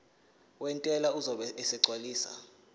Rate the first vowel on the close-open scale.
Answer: mid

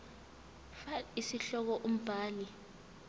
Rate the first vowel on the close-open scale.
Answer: open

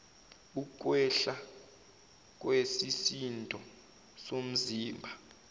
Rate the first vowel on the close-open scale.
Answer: close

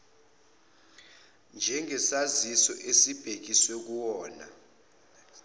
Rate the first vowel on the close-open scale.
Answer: mid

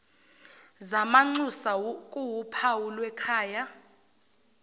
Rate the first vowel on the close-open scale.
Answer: open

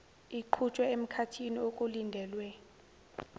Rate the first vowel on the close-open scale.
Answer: close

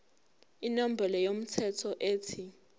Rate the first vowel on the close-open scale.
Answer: close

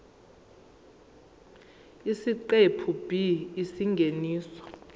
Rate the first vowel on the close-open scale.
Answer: close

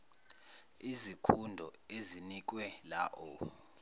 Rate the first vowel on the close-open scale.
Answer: close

